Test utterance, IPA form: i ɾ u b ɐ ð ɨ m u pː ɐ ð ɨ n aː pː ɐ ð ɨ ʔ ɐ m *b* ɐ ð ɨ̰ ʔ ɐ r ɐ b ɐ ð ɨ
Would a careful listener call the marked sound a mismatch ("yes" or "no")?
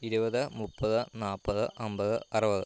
no